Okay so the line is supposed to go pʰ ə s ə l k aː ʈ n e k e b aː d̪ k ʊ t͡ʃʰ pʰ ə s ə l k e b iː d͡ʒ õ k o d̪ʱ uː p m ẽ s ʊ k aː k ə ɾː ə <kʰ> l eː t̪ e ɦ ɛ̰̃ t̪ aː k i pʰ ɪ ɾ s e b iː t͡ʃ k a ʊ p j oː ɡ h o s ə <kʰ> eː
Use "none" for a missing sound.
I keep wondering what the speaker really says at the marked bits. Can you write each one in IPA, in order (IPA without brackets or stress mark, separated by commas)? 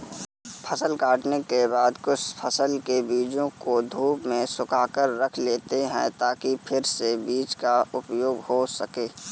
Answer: kʰ, k